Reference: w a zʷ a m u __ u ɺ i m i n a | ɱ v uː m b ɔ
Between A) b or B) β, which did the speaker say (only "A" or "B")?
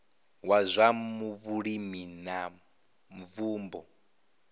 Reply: B